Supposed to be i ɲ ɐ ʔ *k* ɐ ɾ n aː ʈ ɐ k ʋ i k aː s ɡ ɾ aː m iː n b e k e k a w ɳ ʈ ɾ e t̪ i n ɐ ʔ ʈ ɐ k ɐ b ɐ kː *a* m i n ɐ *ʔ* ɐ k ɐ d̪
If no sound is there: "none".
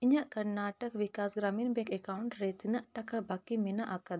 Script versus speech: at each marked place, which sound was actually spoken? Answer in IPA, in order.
k, i, ʔ

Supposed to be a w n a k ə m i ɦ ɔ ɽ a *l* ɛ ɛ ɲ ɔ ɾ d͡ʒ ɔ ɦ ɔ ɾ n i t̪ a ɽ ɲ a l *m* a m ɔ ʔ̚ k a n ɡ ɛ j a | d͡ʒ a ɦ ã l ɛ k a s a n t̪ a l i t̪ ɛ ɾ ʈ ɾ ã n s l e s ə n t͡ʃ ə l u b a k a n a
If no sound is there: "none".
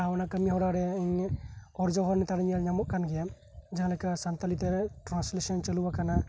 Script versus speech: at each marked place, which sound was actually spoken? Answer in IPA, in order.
ɾ, ɲ

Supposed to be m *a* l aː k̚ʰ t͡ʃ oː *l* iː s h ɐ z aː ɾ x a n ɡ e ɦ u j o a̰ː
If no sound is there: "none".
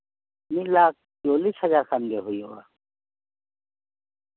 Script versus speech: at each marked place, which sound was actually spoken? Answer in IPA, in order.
i, l

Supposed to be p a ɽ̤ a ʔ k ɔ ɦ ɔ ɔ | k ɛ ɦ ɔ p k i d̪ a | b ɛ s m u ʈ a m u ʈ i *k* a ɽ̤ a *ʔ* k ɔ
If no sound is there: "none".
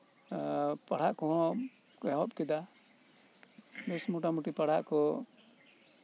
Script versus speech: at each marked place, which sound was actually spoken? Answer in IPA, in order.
p, ʔ

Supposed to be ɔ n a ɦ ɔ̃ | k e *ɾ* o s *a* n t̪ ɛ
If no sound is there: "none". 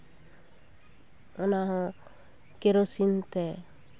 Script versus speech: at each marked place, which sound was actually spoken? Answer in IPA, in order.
ɾ, i

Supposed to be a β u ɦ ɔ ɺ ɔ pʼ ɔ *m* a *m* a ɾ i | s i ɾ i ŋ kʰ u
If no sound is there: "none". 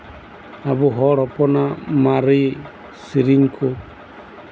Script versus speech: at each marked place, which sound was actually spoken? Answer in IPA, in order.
n, m

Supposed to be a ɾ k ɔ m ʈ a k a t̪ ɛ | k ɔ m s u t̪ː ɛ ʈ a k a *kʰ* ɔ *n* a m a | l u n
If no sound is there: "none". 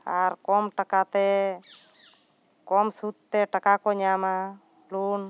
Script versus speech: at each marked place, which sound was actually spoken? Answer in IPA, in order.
k, ɲ

